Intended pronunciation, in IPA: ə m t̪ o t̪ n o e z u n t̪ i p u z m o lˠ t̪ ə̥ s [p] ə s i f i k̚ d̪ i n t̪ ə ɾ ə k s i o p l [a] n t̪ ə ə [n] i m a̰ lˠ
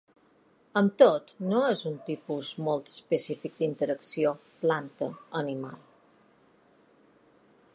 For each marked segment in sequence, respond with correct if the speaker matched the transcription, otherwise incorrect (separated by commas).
correct, correct, correct